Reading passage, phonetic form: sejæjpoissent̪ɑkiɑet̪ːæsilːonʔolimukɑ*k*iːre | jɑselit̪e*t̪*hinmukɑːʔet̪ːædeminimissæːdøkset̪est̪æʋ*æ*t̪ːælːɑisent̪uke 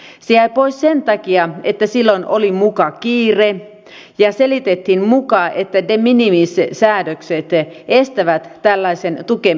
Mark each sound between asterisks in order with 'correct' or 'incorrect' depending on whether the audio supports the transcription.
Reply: correct, correct, correct

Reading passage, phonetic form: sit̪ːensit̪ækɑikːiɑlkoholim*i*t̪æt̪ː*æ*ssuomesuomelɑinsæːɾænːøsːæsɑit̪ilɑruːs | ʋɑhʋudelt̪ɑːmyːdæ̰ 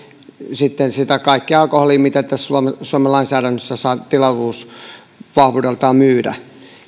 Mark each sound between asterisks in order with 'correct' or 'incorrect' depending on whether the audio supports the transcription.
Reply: correct, correct

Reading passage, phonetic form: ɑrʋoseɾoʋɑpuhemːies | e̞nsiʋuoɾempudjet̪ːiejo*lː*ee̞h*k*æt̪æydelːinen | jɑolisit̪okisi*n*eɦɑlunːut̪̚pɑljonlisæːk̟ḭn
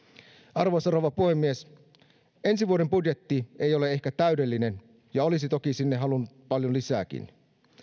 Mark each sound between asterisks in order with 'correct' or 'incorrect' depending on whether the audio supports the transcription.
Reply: incorrect: l, correct, incorrect: nː

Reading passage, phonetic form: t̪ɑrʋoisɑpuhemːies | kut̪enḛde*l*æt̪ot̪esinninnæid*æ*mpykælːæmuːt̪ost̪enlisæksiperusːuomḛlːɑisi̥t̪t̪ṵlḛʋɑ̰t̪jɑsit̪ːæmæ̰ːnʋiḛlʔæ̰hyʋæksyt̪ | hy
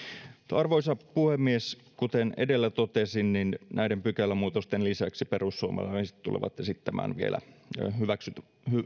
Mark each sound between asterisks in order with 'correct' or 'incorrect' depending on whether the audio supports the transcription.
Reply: incorrect: lː, incorrect: e

